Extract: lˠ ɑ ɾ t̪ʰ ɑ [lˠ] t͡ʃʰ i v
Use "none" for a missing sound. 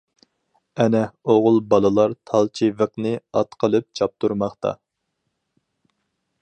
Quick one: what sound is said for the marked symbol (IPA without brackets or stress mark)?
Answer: lˠ